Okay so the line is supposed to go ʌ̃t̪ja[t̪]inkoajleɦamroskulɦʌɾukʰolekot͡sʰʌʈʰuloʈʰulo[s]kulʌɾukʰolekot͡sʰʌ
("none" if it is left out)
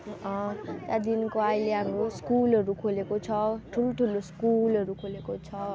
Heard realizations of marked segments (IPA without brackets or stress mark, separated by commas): d̪, s